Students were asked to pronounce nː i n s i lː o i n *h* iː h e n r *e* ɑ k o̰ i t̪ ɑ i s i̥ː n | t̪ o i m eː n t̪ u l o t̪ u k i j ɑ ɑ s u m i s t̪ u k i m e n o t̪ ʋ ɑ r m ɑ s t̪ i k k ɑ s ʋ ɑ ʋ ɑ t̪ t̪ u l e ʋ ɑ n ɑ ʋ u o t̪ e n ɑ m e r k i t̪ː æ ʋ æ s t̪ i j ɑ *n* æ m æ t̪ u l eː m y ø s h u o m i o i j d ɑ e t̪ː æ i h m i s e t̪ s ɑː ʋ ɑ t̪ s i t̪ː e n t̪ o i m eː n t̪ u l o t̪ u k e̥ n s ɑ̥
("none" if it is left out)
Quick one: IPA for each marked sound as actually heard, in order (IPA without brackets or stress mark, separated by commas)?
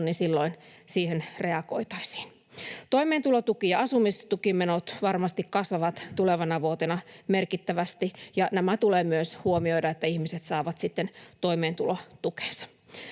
s, e, n